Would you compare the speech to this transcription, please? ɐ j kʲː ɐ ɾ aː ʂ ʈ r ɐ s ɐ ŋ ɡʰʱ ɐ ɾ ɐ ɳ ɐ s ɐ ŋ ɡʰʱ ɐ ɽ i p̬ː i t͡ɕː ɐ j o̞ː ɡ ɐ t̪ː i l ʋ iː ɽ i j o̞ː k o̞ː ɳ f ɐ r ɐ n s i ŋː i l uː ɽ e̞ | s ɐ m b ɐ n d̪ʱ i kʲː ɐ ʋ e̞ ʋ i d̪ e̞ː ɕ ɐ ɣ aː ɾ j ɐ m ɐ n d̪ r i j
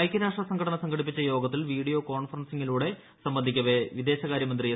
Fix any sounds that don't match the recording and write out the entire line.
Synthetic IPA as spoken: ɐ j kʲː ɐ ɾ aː ʂ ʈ r ɐ s ɐ ŋ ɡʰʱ ɐ ɽ ɐ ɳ ɐ s ɐ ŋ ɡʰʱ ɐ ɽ i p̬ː i t͡ɕː ɐ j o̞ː ɡ ɐ t̪ː i l ʋ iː ɽ i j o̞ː k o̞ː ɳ f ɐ r ɐ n s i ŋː i l uː ɽ e̞ | s ɐ m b ɐ n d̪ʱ i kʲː ɐ ʋ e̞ ʋ i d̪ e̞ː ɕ ɐ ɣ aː ɾ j ɐ m ɐ n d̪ r i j